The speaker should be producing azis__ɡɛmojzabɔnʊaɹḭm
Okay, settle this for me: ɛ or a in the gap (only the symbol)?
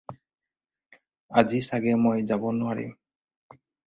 a